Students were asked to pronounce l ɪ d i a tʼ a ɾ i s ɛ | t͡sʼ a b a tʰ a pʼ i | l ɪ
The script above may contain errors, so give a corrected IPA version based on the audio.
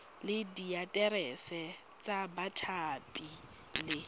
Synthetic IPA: l ɪ d i a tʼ ɛ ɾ ɛ s ɛ | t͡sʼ a b a tʰ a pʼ i | l ɪ